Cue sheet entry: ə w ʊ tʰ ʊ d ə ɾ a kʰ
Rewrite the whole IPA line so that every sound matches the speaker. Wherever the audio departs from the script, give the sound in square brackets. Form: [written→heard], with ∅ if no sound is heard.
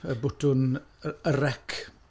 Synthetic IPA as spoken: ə [w→b] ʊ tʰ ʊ [d→n] ə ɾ [a→ɛ] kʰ